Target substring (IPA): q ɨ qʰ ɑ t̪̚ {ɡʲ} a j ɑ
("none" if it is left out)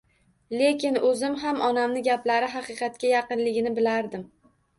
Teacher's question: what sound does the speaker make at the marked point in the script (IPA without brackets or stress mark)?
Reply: kʲ